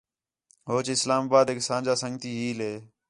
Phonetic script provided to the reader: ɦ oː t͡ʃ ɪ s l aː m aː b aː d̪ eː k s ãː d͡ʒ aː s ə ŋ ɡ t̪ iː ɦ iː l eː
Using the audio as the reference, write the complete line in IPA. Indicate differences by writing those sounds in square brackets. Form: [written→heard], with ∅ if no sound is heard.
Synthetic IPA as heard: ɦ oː t͡ʃ ɪ s l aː m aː b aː d̪ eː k s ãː d͡ʒ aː s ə ŋ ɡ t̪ iː ɦ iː l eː